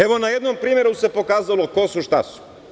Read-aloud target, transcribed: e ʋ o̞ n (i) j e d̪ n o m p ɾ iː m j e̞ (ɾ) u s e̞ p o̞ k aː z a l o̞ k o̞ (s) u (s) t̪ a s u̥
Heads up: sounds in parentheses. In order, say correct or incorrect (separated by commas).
incorrect, correct, correct, incorrect